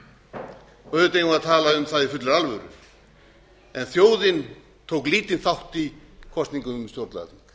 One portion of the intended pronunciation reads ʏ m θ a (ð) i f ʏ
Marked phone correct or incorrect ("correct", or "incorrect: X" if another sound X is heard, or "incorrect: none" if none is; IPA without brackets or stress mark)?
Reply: correct